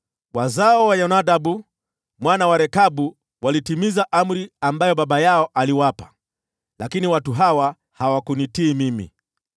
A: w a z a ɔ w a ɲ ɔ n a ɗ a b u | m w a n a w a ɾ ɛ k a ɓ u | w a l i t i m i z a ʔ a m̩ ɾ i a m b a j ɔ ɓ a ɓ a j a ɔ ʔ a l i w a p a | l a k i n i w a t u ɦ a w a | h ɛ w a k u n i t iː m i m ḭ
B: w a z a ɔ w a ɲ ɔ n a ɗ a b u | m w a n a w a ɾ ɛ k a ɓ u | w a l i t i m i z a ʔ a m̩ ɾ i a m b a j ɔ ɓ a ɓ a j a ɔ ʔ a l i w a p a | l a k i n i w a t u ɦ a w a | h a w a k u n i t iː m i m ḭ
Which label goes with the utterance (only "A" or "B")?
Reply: B